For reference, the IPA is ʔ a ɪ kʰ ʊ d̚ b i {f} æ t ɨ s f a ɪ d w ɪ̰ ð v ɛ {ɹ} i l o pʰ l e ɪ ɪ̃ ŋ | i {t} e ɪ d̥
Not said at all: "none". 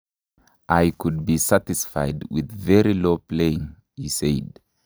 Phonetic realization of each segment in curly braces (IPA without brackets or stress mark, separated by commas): s, ɹ, s